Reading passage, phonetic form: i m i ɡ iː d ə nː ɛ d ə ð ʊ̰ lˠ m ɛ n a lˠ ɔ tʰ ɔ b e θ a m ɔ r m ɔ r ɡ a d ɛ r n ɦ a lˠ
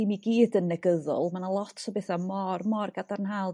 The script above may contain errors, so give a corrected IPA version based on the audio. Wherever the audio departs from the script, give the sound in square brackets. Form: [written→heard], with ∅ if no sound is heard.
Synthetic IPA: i m i ɡ iː d ə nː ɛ [d→ɡ] ə ð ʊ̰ lˠ m [ɛ→a] n a lˠ ɔ tʰ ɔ b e θ a m ɔ r m ɔ r ɡ a d [ɛ→a] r n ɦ a lˠ

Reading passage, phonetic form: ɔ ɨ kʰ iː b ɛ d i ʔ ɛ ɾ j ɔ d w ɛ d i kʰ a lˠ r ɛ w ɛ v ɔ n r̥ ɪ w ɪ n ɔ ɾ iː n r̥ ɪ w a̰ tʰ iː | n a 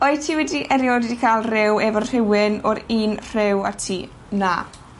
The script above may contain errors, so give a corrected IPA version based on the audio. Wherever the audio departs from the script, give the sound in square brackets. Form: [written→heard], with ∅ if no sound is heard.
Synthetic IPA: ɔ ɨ [kʰ→tʰ] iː [b→w] ɛ d i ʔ ɛ ɾ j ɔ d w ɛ d i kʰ a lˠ r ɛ w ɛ v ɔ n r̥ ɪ w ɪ n ɔ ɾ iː n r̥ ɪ w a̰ tʰ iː | n a

